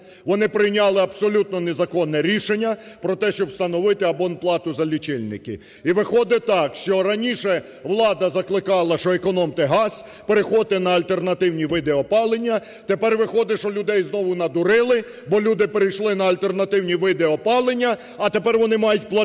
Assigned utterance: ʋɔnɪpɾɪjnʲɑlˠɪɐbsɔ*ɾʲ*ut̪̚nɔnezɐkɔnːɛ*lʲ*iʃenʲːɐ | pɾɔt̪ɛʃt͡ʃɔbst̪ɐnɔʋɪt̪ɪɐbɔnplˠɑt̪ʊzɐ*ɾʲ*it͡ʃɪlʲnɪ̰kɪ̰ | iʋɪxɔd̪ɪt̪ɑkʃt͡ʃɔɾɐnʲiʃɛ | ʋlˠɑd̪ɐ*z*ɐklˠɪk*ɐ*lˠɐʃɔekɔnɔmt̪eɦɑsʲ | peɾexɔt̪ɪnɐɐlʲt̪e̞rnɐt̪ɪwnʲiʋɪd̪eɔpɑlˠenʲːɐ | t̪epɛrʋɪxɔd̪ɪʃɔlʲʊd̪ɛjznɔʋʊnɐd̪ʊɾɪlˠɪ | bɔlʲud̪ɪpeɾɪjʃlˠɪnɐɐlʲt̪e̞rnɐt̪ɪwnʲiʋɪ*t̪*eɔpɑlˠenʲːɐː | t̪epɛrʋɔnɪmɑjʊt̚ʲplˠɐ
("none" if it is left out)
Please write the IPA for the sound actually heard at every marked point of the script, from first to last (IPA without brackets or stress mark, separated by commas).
lʲ, ɾʲ, lʲ, z, ɑ, d̪